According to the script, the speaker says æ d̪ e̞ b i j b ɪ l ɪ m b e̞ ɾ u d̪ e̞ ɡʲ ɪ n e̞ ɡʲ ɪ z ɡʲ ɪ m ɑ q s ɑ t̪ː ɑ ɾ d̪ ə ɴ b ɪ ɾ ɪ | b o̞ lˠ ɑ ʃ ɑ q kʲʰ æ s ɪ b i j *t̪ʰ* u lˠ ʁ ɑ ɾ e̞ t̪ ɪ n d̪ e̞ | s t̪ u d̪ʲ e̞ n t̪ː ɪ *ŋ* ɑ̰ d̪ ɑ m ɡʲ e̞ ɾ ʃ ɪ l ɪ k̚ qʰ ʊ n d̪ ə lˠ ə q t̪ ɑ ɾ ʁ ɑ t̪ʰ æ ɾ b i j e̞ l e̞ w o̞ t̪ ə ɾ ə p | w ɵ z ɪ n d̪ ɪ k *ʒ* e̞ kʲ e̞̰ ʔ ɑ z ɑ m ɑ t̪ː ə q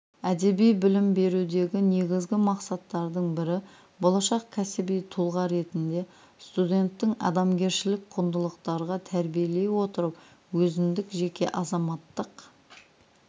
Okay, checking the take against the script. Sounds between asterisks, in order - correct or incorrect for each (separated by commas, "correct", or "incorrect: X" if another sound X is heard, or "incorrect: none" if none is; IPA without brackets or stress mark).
correct, correct, correct